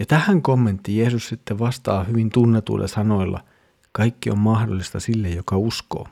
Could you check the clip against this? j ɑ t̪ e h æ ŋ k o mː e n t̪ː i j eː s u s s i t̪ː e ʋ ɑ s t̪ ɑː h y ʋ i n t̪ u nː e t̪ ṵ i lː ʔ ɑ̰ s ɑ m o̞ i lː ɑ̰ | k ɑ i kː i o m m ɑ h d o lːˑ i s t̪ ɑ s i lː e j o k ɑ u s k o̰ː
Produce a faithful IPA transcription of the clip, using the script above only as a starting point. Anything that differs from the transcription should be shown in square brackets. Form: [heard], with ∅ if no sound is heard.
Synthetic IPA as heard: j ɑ t̪ [æ] h æ ŋ k o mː e n t̪ː i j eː s u s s i t̪ː e ʋ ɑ s t̪ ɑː h y ʋ i n t̪ u nː e t̪ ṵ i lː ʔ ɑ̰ s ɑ [n] o̞ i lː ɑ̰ | k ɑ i kː i o m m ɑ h d o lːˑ i s t̪ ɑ s i lː e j o k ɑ u s k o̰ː